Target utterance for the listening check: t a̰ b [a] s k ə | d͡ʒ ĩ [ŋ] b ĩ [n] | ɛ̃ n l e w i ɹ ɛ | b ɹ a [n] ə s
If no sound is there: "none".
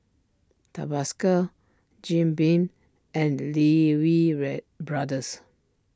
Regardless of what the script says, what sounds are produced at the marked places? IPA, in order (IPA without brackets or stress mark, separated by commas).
a, m, n, d